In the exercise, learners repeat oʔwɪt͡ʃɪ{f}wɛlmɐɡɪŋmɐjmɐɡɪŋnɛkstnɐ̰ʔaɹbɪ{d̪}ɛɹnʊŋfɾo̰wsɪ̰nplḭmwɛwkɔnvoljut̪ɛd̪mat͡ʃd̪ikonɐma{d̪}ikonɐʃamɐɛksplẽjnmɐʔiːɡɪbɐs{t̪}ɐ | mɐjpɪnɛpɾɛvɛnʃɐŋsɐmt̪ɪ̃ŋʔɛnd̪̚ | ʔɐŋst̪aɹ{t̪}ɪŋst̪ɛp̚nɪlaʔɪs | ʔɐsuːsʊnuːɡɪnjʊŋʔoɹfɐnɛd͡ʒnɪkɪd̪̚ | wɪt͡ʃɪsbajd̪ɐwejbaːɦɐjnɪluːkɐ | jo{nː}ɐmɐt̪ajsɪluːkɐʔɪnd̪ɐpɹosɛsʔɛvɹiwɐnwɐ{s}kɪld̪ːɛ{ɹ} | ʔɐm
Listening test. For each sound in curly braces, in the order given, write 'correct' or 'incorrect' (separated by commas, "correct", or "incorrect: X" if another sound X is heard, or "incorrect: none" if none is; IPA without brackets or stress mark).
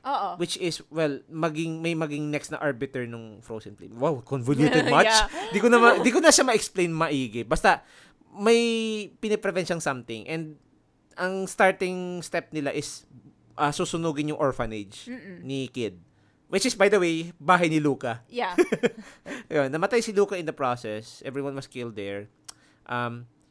incorrect: s, incorrect: t̪, correct, correct, correct, correct, correct, correct